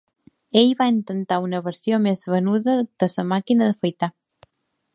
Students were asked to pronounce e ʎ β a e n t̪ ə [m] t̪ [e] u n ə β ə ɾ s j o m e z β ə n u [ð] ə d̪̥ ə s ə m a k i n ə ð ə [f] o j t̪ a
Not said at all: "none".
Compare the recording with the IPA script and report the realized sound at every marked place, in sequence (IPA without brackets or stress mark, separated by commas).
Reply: n, a, ð, f